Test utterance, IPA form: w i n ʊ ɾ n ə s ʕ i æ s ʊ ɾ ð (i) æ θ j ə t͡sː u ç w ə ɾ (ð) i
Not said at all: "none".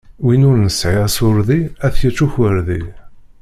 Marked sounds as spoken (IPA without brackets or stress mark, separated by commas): i, ð